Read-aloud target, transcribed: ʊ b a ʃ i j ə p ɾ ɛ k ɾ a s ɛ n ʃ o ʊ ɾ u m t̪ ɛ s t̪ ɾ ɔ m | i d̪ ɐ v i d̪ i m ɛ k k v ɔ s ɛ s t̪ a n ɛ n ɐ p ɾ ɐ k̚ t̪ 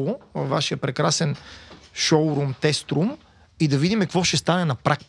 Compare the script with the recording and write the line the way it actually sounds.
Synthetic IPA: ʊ v a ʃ i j ə p ɾ ɛ k ɾ a s ɛ n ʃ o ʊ ɾ u m t̪ ɛ s t̪ ɾ u m | i d̪ ɐ v i d̪ i m ɛ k k v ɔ ʃ ɛ s t̪ a n ɛ n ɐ p ɾ a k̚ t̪